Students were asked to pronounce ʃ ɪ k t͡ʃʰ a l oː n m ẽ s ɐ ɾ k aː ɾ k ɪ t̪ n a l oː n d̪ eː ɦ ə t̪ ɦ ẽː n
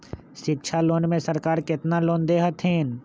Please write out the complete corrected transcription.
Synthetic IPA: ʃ ɪ k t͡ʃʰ a l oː n m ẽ s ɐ ɾ k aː ɾ k ɪ t̪ n a l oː n d̪ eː ɦ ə t̪ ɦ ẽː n